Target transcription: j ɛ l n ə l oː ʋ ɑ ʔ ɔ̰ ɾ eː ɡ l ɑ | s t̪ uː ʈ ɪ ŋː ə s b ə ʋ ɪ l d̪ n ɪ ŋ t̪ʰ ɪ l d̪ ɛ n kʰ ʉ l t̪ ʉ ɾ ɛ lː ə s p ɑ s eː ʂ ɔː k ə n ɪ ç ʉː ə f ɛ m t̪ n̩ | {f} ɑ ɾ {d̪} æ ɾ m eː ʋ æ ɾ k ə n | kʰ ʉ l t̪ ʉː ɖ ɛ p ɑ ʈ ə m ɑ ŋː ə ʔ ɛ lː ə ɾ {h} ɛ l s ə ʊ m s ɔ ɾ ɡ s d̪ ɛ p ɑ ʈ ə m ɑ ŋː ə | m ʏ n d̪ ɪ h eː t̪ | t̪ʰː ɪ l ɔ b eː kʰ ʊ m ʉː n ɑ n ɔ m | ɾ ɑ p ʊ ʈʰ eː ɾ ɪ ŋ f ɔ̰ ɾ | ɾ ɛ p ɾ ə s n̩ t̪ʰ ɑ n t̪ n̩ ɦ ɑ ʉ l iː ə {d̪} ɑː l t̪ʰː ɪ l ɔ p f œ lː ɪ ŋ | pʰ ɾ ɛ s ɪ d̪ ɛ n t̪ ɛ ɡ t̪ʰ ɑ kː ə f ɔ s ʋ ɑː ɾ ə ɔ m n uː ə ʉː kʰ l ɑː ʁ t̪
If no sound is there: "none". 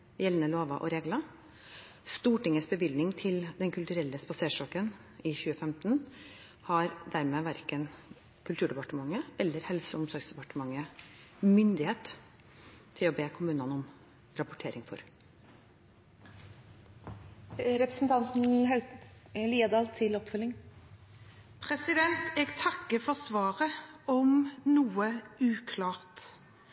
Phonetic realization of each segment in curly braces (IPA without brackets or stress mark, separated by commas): h, d̪, h, d̪